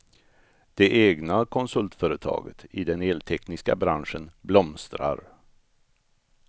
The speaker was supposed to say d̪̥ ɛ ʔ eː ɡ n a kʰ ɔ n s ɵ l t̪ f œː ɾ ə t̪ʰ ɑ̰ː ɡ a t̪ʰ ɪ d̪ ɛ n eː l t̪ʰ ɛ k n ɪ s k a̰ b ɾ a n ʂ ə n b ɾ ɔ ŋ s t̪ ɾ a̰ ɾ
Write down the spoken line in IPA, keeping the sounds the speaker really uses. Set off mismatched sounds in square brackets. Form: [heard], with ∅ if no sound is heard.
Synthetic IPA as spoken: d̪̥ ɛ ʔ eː ɡ n a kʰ ɔ n s ɵ l t̪ f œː ɾ ə t̪ʰ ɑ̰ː ɡ [ə] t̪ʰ ɪ d̪ ɛ n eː l t̪ʰ ɛ k n ɪ s k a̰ b ɾ a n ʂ ə n b [l] ɔ [m] s t̪ ɾ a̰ ɾ